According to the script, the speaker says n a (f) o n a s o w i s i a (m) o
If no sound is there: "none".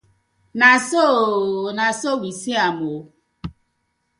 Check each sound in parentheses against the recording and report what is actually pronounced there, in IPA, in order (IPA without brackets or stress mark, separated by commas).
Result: s, m